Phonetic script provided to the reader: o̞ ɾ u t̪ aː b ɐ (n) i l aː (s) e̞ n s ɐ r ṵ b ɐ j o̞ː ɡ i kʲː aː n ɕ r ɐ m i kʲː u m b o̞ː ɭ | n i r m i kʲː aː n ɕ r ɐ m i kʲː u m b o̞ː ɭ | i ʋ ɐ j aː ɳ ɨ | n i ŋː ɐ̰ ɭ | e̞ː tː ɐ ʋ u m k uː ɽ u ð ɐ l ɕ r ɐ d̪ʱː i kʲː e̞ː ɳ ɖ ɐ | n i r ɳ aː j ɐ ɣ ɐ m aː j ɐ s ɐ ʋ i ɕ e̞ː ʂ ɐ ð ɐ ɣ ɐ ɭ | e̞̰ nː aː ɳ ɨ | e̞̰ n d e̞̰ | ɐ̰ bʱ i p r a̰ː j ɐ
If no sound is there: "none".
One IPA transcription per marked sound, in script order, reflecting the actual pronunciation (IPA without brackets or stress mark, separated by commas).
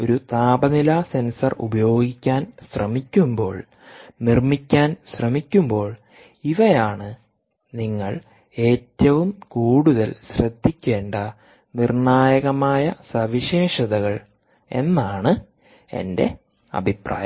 n, s